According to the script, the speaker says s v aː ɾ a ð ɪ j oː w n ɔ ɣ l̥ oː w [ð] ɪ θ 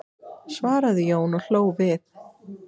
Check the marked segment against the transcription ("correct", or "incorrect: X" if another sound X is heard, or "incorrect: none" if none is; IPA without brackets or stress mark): incorrect: v